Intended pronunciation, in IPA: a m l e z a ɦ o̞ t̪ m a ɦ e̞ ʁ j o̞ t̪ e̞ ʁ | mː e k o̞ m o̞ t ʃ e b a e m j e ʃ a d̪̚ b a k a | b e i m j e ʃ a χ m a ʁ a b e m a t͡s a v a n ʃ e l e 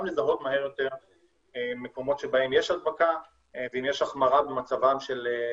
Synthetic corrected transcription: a m l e z a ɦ o̞ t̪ m a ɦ e̞ ʁ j o̞ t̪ e̞ ʁ | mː e k o̞ m o̞ t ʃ e b a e m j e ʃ a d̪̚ b a k a | v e i m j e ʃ a χ m a ʁ a b e m a t͡s a v a m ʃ e l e